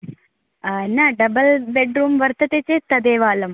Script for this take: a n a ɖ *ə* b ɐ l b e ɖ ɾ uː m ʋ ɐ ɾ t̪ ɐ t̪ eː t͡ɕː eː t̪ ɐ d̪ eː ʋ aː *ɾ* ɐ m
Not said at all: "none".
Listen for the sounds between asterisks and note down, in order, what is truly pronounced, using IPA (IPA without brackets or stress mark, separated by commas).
ɐ, l